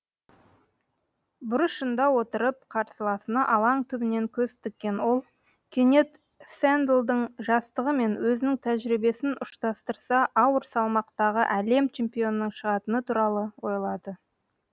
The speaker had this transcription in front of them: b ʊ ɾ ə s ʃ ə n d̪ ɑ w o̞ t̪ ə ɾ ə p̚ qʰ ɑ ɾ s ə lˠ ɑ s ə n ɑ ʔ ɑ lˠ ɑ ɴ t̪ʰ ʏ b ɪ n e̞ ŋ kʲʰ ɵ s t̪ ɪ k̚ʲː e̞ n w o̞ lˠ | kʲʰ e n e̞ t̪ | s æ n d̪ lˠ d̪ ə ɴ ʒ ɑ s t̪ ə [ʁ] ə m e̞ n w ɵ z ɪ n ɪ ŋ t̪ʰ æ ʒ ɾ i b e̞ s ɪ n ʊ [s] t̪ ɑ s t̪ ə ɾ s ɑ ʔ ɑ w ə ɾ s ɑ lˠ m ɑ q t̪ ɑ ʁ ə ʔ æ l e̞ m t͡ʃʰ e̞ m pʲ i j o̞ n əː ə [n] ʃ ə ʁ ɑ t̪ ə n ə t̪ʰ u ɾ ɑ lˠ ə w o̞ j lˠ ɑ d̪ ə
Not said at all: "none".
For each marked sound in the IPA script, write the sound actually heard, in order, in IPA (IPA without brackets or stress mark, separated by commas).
ʁ, ʃ, ɴ